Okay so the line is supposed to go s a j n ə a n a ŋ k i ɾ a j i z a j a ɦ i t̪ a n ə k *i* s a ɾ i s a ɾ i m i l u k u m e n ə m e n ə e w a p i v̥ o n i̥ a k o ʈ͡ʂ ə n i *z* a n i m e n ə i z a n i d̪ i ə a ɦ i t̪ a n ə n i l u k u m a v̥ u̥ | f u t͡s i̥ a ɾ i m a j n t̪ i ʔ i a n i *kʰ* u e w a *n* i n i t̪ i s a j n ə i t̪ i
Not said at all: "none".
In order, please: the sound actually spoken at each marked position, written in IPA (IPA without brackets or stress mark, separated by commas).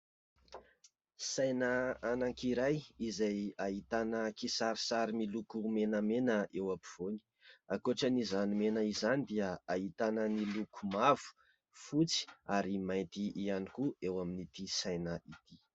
i, z, k, m